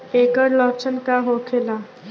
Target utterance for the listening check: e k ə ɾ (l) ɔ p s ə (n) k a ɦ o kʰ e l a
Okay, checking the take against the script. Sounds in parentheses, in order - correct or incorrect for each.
correct, correct

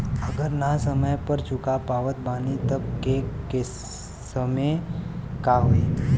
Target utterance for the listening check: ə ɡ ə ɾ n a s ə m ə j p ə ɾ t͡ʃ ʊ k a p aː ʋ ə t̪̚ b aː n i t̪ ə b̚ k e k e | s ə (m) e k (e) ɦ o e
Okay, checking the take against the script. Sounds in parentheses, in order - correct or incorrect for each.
correct, incorrect

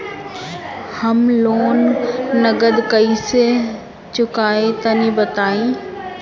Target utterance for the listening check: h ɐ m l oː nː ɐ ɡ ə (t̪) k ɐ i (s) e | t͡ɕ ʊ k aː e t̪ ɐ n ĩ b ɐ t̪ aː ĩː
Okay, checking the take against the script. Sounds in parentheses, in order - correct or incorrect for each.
incorrect, correct

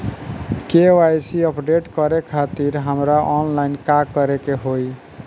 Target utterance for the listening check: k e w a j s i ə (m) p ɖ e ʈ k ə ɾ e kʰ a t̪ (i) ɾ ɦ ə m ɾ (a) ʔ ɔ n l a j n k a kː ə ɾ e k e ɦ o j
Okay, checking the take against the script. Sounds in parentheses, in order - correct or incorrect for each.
incorrect, correct, correct

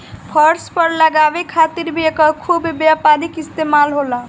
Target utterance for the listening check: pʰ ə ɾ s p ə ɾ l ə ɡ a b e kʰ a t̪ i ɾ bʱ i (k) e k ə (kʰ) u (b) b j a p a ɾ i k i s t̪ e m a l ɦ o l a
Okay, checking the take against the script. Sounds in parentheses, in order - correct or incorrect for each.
incorrect, correct, correct

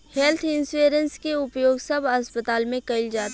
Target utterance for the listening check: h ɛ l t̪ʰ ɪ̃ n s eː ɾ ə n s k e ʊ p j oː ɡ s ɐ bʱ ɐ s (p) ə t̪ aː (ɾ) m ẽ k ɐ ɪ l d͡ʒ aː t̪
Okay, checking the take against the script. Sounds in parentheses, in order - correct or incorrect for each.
correct, incorrect

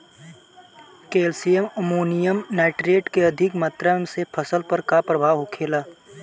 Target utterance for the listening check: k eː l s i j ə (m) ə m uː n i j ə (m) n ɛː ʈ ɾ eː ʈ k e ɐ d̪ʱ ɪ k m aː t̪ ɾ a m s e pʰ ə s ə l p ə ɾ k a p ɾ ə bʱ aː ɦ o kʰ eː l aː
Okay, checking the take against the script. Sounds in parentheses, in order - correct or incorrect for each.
correct, correct

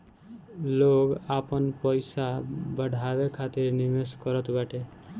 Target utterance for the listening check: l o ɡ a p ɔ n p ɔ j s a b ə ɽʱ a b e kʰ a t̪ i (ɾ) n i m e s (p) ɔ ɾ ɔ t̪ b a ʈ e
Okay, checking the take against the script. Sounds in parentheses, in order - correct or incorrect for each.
correct, incorrect

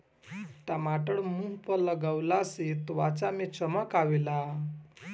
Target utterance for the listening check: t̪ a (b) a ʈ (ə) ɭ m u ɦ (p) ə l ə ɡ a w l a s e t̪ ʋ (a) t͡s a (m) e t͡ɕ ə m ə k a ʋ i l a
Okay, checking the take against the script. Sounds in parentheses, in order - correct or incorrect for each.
incorrect, correct, correct, correct, correct

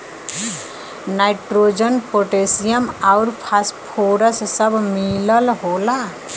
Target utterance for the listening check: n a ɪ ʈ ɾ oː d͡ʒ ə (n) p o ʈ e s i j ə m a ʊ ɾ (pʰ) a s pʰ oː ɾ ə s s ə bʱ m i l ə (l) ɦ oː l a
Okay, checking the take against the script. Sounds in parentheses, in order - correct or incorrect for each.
correct, correct, correct

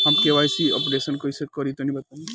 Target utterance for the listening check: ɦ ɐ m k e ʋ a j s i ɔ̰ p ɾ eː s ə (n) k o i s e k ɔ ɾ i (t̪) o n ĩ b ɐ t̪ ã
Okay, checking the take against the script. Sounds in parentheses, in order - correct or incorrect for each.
correct, correct

